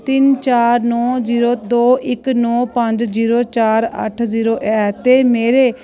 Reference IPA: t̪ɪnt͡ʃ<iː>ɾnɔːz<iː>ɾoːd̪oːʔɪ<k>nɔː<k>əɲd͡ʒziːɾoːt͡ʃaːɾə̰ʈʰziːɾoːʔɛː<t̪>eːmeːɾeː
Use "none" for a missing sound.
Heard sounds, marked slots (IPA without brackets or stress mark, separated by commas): aː, iː, k, p, t̪